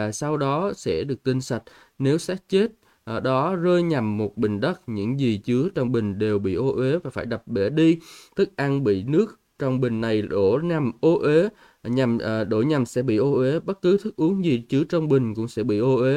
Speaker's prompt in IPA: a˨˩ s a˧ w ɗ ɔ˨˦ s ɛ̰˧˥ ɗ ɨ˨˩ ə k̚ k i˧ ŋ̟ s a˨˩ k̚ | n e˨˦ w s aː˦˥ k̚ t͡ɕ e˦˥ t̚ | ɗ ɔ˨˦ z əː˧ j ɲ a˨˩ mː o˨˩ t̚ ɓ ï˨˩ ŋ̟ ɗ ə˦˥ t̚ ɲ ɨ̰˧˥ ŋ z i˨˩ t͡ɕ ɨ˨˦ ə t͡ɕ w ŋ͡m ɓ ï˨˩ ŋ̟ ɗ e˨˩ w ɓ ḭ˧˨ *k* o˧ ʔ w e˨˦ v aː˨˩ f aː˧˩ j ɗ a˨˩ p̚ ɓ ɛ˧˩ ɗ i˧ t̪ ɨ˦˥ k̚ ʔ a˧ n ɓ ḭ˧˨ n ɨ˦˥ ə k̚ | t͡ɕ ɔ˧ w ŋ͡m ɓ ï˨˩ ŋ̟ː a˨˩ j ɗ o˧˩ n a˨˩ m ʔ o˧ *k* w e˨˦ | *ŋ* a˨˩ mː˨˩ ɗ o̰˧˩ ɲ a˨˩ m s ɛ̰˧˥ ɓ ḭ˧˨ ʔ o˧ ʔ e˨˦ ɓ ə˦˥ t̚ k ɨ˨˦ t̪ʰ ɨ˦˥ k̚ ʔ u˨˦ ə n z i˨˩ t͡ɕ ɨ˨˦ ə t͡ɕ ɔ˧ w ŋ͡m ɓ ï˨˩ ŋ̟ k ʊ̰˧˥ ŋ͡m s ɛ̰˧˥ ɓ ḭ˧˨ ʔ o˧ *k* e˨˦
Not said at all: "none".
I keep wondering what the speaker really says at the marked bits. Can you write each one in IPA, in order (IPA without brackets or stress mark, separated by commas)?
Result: ʔ, ʔ, ɲ, ʔ